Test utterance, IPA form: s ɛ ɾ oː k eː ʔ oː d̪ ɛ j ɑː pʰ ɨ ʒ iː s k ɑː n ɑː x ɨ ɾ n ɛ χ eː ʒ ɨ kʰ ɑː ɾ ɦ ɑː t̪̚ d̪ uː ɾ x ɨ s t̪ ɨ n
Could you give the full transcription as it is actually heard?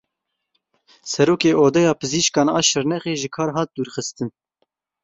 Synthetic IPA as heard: s ɛ ɾ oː k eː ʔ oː d̪ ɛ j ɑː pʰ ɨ z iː ʃ k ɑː n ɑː ʃ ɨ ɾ n ɛ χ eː ʒ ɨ kʰ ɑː ɾ ɦ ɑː t̪̚ d̪ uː ɾ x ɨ s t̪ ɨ n